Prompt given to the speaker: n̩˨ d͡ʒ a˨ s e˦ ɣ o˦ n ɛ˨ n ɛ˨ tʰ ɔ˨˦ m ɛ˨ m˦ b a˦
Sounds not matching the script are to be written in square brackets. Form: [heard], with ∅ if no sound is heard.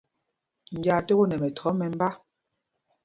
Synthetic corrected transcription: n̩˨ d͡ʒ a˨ [t] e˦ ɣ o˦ n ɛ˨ [m] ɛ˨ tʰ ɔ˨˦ m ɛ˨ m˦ b a˦